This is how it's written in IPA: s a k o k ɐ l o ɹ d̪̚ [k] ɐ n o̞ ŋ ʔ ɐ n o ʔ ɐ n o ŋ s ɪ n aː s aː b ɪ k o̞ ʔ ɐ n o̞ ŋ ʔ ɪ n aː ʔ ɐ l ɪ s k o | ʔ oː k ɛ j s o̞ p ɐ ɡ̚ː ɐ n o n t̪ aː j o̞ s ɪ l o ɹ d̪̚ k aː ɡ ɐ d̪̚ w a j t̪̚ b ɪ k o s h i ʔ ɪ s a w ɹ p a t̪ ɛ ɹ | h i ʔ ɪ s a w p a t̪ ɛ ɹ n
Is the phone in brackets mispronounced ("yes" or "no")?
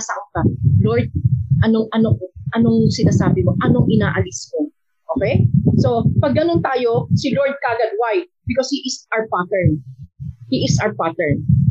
yes